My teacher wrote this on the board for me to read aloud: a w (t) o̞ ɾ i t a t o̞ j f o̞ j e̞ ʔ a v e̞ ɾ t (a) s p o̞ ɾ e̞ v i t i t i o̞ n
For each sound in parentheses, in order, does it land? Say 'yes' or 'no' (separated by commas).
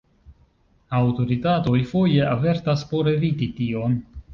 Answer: yes, yes